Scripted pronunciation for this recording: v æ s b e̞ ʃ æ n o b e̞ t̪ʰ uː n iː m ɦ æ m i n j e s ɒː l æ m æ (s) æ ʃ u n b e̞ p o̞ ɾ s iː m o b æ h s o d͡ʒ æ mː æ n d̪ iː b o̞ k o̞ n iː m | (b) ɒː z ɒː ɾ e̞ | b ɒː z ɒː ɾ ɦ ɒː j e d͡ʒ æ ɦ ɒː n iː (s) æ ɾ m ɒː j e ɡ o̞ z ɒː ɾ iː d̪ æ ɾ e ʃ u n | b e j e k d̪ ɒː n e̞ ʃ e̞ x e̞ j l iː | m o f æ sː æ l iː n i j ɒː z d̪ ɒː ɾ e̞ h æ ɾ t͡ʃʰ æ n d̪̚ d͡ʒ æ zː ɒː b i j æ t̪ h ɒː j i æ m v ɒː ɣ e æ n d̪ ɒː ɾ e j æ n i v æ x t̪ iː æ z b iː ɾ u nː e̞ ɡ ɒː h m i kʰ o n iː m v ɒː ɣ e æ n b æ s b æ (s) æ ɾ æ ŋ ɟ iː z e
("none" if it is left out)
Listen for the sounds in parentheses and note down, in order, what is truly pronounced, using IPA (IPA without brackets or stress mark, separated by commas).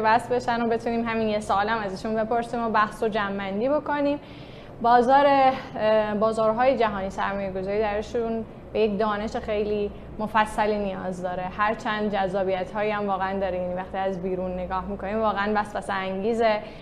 z, b, s, s